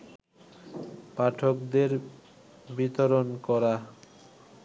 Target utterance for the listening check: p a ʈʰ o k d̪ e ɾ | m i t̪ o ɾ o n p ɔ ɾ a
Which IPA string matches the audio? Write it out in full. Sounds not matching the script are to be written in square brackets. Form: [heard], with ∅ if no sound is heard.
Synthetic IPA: p a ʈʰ o k d̪ e ɾ | [b] i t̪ o ɾ o n [k] ɔ ɾ a